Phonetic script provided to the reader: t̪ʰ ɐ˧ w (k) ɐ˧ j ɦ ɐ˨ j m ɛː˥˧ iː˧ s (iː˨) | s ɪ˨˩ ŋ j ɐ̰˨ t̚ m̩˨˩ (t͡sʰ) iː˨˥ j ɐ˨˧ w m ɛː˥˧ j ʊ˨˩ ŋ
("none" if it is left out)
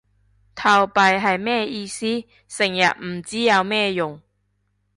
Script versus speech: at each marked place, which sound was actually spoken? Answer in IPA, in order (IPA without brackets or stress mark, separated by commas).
p, iː˥, t͡s